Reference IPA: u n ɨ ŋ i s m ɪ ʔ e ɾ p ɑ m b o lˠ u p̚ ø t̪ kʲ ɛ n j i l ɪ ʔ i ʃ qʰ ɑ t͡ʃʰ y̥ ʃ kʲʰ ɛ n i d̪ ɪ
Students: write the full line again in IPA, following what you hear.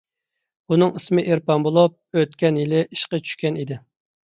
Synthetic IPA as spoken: u n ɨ ŋ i s m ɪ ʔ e ɾ p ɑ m b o lˠ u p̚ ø t̪ kʲ ɛ n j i l ɪ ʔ i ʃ q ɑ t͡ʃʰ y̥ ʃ kʲ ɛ n i d̪ ɪ